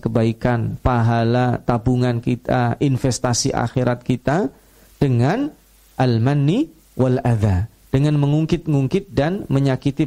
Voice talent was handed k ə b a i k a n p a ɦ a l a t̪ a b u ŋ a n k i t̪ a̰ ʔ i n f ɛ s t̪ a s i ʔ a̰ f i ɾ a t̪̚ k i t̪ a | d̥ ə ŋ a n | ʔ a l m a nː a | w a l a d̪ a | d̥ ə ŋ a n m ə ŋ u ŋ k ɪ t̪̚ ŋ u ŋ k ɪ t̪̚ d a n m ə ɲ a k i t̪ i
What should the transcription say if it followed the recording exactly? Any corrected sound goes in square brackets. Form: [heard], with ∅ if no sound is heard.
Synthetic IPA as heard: k ə b a i k a n p a ɦ a l a t̪ a b u ŋ a n k i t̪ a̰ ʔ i n f ɛ s t̪ a s i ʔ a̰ [x] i ɾ a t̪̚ k i t̪ a | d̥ ə ŋ a n | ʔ a l m a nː [i] | w a l a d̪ a | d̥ ə ŋ a n m ə ŋ u ŋ k ɪ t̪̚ ŋ u ŋ k ɪ t̪̚ d a n m ə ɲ a k i t̪ i